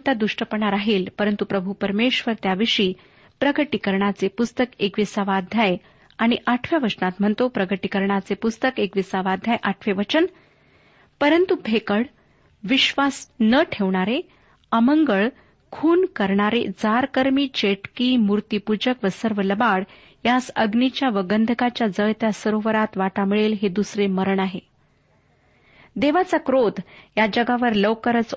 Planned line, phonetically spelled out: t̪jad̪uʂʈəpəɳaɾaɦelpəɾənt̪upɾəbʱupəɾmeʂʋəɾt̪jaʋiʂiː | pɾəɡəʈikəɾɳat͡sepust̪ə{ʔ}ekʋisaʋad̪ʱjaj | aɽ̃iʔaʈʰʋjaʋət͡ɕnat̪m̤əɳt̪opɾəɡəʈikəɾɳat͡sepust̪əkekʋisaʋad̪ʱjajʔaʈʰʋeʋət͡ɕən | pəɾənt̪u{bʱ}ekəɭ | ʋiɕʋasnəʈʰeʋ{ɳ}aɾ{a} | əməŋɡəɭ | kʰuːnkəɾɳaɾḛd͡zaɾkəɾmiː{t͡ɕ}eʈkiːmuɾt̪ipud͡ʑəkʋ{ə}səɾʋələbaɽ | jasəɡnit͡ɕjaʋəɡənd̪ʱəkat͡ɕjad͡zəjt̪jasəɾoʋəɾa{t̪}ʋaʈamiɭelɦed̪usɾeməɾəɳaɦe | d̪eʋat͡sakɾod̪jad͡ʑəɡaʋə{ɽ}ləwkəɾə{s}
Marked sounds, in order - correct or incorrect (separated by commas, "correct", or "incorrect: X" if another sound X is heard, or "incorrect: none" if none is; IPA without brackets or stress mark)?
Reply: incorrect: k, correct, correct, incorrect: e, correct, correct, correct, incorrect: ɾ, incorrect: t͡s